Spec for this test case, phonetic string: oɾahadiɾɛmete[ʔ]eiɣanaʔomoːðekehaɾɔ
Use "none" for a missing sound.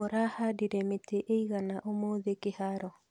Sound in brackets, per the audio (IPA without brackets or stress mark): ʔ